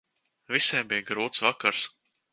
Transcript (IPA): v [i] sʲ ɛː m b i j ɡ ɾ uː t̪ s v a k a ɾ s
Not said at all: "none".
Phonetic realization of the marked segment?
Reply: i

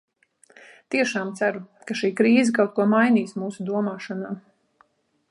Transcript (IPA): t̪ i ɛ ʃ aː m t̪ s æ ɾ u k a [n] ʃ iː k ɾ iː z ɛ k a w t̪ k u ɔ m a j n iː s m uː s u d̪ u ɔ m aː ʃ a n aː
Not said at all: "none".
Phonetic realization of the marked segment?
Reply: none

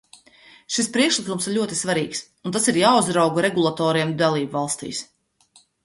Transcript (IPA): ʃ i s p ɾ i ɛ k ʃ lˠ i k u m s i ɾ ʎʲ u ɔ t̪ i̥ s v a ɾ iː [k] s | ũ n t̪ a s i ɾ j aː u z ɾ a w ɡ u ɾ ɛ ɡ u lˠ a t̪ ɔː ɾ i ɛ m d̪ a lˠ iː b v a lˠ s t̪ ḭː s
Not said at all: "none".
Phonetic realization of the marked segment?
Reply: k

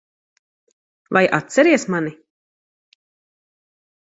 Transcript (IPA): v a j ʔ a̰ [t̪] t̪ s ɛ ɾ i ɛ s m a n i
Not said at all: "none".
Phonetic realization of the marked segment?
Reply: t̪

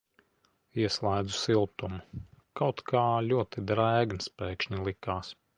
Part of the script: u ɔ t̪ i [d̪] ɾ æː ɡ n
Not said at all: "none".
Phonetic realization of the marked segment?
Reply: d̪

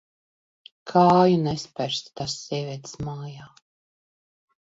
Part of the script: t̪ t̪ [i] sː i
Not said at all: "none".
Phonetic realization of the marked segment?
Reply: a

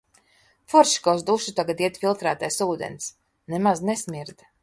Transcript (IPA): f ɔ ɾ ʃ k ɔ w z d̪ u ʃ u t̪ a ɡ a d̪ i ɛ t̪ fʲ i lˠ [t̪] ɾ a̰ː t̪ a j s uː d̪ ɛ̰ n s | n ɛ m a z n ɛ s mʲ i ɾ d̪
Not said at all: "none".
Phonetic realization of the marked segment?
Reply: t̪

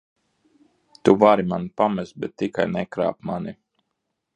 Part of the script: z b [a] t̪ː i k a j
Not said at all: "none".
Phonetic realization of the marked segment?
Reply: ɛ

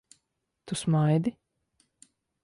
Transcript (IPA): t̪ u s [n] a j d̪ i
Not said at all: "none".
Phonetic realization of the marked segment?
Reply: m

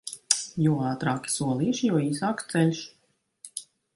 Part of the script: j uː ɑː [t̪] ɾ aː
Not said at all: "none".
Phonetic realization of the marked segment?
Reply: t̪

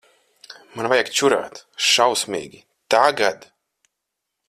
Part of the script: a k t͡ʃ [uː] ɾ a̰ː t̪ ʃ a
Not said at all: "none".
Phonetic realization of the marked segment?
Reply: u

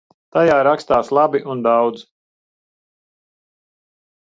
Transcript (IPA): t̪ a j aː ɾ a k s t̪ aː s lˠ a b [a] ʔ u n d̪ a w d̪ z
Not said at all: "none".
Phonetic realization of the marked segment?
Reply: i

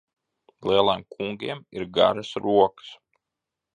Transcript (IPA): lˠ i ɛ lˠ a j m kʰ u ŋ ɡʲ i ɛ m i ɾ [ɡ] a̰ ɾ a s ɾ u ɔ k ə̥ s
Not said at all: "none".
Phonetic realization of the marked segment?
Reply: ɡ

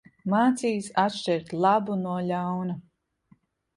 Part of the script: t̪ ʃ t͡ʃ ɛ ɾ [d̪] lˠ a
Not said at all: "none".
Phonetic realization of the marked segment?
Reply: t̪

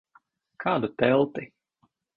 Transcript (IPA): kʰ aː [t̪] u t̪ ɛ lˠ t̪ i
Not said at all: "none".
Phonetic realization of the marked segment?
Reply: d̪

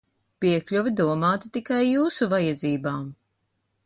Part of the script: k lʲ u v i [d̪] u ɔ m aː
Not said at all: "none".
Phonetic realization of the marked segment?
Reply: d̪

